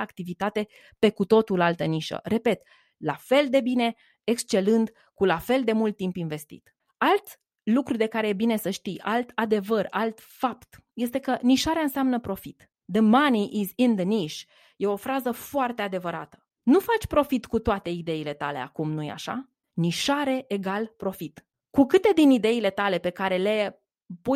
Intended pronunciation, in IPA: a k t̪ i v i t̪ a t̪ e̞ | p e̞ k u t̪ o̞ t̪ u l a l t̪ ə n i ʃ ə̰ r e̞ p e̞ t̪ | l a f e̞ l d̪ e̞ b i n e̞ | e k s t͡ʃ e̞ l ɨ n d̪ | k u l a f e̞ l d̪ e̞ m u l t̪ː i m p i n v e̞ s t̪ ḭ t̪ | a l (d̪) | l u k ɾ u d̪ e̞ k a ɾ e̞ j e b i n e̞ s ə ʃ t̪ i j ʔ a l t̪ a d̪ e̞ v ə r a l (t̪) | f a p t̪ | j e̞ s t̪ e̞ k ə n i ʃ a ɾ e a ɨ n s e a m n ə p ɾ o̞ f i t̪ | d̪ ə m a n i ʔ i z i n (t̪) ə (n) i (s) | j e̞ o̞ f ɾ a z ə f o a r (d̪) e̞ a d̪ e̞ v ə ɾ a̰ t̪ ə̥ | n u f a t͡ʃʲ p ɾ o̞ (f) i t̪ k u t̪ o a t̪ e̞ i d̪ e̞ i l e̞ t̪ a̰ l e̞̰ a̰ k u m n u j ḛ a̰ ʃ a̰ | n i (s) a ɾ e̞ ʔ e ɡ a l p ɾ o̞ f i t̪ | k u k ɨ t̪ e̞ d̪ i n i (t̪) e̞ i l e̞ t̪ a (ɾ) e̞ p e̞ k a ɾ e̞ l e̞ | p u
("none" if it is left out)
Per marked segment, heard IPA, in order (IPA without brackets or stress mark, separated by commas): t̪, t̪, d̪, n, ʃ, t̪, f, ʃ, d̪, l